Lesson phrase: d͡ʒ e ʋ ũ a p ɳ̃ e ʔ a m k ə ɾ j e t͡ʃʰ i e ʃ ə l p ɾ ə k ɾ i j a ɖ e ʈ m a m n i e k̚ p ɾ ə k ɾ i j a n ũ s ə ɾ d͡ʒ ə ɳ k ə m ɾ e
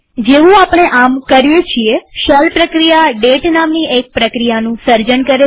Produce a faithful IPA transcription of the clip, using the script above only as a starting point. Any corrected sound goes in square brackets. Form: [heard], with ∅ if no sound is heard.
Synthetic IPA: d͡ʒ e ʋ ũ a p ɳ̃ e ʔ a m k ə ɾ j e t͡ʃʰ i e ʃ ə l p ɾ ə k ɾ i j a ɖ e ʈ [n] a m n i e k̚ p ɾ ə k ɾ i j a n ũ s ə ɾ d͡ʒ ə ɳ k ə [∅] ɾ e